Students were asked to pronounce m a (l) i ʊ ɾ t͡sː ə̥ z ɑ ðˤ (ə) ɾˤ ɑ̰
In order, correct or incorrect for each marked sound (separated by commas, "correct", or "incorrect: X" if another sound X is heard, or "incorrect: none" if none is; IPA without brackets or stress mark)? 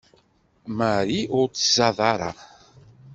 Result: incorrect: ɾ, incorrect: ɑ